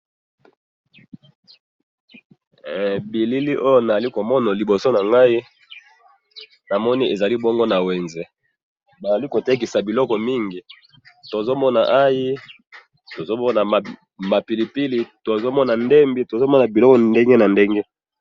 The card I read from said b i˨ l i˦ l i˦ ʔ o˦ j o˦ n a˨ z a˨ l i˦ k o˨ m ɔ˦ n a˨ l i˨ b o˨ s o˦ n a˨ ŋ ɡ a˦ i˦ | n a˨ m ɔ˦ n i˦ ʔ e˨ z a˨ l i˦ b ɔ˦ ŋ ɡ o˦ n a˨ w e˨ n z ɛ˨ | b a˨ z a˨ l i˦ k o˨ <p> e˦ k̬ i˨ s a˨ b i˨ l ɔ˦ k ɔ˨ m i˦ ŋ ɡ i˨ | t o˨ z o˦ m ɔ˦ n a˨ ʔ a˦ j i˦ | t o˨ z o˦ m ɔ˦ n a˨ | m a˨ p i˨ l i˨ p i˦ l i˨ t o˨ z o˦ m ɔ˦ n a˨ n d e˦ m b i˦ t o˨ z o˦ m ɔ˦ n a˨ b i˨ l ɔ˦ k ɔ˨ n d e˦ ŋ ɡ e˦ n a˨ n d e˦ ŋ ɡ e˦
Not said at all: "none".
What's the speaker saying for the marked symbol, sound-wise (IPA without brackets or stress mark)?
t